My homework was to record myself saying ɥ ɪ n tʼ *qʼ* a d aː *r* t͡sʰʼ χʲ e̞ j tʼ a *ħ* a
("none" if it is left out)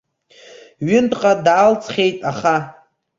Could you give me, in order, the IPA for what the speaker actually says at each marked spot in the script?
qʼ, l, χ

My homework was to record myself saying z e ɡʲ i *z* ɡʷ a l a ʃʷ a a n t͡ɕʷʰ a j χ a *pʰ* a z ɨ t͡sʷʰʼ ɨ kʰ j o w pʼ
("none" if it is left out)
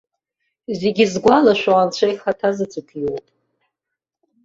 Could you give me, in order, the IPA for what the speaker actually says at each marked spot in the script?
z, tʰ

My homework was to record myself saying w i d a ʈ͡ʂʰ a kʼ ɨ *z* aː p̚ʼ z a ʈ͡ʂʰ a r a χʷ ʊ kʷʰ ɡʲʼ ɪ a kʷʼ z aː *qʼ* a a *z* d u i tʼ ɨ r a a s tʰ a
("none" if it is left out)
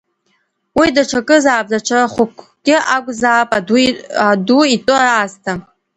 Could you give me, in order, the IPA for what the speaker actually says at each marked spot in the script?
z, pʼ, none

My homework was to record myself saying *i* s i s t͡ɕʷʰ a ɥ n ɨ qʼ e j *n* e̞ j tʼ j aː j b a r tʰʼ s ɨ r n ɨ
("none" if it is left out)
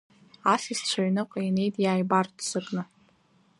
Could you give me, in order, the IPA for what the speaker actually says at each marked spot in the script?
a, n

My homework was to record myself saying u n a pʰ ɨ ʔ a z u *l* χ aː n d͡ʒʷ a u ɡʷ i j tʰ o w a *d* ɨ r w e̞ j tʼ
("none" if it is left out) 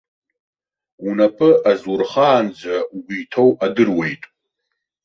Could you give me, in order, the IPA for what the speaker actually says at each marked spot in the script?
r, d

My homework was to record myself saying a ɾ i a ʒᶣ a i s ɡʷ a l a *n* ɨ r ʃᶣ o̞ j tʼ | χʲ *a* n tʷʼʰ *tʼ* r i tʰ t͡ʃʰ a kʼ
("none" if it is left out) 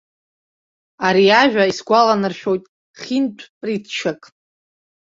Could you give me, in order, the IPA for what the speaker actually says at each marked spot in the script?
n, i, pʼ

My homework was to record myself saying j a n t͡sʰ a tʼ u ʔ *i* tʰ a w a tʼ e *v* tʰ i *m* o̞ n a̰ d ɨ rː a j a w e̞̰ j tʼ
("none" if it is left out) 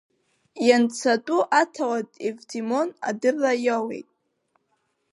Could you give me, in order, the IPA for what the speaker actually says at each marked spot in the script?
a, v, m

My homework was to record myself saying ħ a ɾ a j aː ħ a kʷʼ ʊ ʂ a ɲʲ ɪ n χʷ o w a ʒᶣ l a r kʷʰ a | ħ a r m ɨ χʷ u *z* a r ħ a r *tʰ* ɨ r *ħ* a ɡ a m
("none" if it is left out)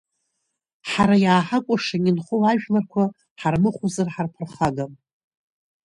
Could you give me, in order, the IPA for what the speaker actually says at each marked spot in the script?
z, pʰ, χ

